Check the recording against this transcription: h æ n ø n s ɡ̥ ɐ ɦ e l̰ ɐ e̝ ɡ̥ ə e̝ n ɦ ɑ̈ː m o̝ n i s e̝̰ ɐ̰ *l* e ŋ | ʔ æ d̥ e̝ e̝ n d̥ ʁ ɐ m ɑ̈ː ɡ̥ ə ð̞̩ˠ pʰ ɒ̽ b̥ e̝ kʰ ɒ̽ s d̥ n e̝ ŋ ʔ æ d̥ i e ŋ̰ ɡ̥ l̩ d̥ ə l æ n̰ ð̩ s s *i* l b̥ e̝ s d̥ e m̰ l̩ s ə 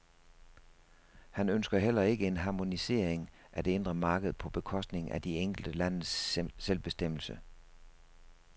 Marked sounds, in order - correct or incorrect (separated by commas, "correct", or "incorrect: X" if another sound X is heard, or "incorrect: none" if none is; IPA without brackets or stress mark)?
incorrect: none, incorrect: e